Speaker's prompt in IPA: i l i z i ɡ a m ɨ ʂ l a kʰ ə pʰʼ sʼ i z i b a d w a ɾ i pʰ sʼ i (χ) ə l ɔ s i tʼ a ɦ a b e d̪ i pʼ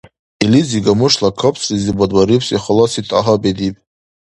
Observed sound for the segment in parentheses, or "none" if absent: χ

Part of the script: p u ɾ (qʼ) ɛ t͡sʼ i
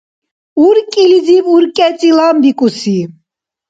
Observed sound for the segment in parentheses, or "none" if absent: kʼ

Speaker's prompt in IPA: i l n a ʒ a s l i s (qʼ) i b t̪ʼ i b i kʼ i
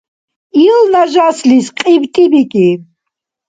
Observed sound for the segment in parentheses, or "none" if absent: qʼ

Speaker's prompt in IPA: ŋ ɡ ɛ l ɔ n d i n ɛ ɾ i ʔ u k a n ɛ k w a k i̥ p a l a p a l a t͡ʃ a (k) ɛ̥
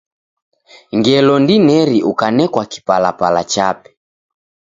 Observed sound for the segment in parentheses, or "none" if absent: p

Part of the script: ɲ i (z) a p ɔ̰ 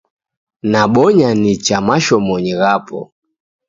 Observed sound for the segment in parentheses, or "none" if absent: ɣ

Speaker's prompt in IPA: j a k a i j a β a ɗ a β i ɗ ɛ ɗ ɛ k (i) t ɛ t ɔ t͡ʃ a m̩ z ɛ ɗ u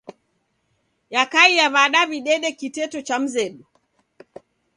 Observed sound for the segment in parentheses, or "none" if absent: i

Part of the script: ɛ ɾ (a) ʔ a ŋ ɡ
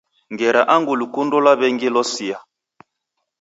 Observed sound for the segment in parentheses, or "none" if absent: a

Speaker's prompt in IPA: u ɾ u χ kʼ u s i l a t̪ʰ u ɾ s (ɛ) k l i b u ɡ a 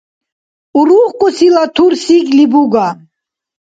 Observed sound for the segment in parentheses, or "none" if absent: i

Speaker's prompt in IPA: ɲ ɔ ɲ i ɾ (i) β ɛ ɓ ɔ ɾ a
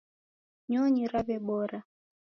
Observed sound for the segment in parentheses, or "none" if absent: a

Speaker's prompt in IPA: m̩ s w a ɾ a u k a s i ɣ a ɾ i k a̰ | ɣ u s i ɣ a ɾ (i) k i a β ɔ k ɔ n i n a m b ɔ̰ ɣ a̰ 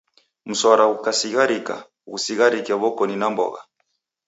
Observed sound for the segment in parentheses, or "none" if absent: i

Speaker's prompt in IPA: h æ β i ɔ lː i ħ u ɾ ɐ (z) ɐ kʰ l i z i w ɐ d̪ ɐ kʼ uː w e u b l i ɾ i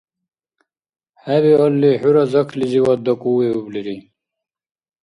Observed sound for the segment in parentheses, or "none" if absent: z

